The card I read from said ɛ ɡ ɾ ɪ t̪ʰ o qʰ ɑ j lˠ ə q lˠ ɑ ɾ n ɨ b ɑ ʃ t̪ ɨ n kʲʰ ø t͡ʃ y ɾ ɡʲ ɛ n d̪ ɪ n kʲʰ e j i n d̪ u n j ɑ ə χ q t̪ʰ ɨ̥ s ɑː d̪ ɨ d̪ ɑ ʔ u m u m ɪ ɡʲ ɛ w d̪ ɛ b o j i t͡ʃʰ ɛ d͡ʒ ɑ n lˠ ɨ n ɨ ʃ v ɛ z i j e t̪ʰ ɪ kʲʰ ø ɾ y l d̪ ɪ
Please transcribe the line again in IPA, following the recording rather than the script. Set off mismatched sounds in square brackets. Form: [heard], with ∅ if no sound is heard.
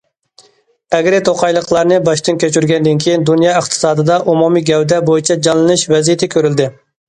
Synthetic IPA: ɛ ɡ ɾ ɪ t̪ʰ o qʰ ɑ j lˠ ə q lˠ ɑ ɾ n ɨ b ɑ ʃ t̪ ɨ n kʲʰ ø t͡ʃ y ɾ ɡʲ ɛ n d̪ ɪ n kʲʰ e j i n d̪ u n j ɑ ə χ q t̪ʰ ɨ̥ s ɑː d̪ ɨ d̪ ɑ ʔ u m u m [i] ɡʲ ɛ w d̪ ɛ b o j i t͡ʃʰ ɛ d͡ʒ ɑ n lˠ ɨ n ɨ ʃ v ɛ z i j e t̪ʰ ɪ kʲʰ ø ɾ y l d̪ ɪ

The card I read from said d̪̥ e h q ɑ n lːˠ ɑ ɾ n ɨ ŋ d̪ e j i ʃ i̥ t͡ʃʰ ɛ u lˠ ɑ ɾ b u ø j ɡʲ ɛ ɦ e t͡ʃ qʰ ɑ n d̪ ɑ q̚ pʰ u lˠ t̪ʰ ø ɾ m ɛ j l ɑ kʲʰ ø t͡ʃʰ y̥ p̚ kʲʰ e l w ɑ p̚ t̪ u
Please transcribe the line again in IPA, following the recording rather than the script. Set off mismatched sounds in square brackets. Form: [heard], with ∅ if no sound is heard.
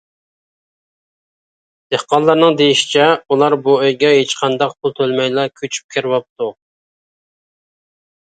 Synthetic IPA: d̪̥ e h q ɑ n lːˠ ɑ ɾ n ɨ ŋ d̪ e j i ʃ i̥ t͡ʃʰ ɛ u lˠ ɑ ɾ b u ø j ɡʲ ɛ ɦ e t͡ʃ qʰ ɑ n d̪ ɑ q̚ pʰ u lˠ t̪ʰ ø [l] m ɛ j l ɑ kʲʰ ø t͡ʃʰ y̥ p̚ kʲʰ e [ɾ] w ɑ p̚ t̪ u

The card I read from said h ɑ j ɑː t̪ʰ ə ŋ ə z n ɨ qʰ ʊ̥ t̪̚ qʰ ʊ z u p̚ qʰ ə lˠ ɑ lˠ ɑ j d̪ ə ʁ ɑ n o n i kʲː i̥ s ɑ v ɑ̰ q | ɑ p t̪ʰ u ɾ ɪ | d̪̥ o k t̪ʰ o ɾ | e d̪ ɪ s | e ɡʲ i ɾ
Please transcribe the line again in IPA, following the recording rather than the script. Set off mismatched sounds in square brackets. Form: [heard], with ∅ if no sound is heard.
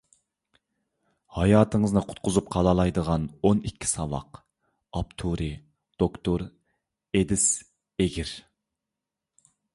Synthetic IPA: h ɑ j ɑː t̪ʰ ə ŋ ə z n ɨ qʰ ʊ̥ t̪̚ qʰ ʊ z u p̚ qʰ [ɑ] lˠ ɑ lˠ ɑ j d̪ ə ʁ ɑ n o n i kʲː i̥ s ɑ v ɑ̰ q | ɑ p t̪ʰ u ɾ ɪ | d̪̥ o k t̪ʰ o ɾ | e d̪ ɪ s | e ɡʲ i ɾ

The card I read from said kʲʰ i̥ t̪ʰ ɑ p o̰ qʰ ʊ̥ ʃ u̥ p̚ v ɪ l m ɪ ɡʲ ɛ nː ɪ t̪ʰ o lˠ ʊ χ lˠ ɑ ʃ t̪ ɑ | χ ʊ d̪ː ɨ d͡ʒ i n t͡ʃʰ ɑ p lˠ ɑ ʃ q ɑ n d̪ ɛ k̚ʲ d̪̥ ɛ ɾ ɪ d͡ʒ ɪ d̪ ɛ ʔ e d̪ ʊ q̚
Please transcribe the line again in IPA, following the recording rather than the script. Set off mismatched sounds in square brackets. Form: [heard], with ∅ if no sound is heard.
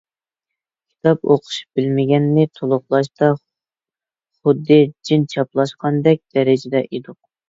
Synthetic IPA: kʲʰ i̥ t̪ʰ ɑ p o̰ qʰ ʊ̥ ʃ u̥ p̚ [b] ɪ l m ɪ ɡʲ ɛ nː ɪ t̪ʰ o lˠ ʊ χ lˠ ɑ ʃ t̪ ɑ | χ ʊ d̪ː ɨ d͡ʒ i n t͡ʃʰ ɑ p lˠ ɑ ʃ q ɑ n d̪ ɛ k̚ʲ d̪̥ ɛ ɾ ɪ d͡ʒ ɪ d̪ ɛ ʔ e d̪ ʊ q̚

